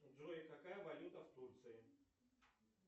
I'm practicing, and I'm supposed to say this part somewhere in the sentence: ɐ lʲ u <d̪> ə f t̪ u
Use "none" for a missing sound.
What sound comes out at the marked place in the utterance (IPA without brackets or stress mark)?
t̪